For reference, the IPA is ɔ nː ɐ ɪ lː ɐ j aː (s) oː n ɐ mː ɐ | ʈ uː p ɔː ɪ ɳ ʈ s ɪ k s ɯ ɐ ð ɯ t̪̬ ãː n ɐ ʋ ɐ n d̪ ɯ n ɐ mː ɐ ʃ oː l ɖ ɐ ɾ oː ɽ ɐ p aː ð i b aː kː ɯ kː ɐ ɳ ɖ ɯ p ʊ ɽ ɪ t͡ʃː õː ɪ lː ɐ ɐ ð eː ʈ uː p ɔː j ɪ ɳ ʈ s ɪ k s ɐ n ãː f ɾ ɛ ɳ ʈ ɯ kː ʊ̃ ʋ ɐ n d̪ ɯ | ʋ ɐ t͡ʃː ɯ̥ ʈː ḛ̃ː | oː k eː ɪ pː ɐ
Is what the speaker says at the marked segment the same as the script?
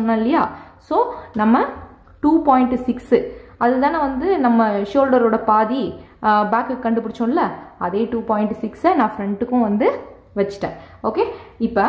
yes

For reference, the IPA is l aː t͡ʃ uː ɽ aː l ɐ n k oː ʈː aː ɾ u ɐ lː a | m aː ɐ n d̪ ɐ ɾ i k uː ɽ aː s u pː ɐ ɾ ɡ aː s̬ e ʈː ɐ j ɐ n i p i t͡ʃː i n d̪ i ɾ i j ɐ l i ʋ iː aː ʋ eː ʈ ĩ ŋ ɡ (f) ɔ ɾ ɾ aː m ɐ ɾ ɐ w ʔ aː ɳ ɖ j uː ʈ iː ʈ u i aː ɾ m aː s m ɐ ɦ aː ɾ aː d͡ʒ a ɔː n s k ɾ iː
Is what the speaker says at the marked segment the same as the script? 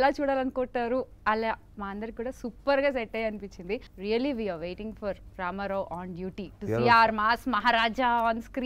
yes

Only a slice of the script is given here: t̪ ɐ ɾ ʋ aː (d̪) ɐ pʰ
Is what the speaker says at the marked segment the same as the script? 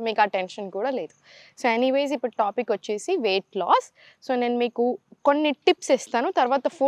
no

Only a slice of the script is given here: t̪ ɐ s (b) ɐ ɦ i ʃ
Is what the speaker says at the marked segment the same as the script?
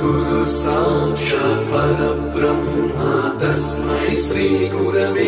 no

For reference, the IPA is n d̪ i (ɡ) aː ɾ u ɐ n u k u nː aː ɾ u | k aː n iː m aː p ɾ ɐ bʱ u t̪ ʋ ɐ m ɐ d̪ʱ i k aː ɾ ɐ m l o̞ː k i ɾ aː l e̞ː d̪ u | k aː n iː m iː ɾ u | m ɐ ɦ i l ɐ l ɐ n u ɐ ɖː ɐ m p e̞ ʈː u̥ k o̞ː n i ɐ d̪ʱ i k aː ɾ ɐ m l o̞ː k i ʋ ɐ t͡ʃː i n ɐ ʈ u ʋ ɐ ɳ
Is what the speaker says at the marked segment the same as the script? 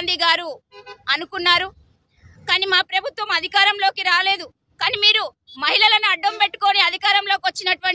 yes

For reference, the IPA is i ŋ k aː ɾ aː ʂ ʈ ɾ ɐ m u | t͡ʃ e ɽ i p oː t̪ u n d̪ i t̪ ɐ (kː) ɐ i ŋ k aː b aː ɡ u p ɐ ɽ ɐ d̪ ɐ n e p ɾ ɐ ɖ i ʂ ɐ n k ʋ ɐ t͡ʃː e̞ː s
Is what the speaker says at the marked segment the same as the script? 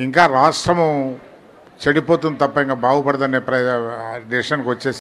no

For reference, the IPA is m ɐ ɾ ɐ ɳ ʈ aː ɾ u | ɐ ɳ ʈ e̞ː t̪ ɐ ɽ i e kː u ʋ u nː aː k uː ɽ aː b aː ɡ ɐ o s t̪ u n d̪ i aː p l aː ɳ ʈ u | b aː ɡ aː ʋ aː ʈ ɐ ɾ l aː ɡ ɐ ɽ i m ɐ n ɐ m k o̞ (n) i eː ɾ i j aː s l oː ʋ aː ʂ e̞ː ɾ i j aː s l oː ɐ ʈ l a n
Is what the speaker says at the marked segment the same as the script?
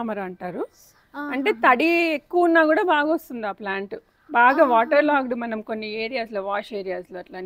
no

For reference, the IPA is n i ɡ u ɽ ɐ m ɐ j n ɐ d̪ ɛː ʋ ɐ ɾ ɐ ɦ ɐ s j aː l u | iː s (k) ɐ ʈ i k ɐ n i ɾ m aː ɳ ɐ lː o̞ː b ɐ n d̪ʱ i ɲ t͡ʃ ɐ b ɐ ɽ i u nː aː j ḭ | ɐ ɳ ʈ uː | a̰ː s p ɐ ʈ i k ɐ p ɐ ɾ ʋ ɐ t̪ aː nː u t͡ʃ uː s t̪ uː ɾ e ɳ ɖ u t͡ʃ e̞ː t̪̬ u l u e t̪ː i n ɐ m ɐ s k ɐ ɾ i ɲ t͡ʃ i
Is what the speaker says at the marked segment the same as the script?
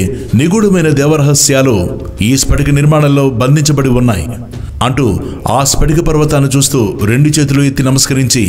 no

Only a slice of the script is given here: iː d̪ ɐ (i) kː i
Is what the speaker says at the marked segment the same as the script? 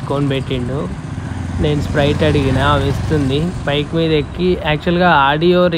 no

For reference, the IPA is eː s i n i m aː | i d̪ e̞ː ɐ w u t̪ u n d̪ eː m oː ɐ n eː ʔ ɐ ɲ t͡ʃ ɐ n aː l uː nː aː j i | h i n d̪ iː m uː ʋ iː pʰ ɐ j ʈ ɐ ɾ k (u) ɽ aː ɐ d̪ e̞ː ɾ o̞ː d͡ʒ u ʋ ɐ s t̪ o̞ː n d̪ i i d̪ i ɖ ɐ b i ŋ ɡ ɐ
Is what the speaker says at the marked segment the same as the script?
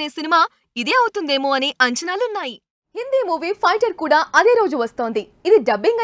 no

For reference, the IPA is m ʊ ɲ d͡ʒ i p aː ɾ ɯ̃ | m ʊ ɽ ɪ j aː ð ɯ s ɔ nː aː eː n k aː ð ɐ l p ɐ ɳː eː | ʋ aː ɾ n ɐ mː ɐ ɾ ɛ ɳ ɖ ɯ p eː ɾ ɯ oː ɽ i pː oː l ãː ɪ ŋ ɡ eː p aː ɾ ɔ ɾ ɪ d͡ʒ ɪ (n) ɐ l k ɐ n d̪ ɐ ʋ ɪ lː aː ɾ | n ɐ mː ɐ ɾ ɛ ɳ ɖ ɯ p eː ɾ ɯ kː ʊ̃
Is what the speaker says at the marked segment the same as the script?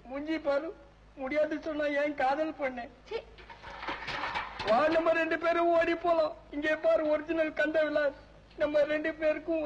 yes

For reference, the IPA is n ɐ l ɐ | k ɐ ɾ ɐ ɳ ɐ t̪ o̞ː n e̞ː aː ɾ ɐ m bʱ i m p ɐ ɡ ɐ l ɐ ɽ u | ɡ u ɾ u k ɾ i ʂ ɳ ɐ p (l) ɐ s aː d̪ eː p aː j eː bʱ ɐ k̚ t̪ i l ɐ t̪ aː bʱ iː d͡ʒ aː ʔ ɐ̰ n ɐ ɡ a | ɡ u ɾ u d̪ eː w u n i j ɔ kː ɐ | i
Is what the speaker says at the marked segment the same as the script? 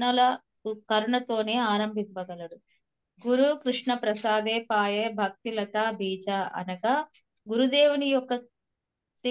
no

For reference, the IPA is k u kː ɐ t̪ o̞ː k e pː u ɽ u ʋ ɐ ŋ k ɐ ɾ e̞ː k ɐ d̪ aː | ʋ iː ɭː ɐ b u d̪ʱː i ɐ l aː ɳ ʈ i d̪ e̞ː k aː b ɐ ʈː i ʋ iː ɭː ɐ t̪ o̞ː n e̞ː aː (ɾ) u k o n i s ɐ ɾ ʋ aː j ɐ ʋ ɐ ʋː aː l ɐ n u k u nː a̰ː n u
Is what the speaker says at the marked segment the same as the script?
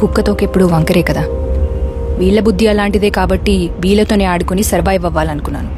no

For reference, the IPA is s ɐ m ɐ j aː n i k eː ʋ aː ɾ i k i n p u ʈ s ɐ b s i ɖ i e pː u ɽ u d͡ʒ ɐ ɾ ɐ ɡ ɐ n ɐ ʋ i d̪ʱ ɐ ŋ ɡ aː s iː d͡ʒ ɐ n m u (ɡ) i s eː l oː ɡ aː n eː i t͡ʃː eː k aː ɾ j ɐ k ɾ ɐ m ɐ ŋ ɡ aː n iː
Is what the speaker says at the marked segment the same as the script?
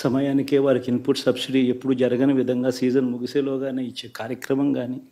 yes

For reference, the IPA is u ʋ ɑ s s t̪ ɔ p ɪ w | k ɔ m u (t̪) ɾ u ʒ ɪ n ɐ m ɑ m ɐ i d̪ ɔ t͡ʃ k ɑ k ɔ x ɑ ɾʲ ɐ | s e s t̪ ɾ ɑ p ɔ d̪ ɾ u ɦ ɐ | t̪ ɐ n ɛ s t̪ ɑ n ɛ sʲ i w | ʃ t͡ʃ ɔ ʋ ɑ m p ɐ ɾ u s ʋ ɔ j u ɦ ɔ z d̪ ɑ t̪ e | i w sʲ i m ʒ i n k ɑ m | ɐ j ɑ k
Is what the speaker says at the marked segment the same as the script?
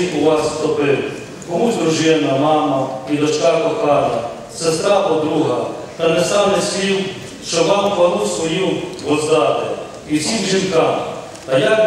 no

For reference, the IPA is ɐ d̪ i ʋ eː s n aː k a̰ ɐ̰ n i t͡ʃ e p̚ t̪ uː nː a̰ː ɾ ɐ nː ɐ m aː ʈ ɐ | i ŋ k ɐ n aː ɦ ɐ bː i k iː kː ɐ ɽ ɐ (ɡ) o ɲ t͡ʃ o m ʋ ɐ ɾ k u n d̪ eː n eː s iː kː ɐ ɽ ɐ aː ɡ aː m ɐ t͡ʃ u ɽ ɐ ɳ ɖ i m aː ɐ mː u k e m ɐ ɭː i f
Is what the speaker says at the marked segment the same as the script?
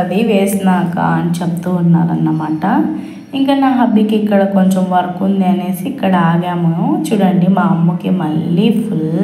no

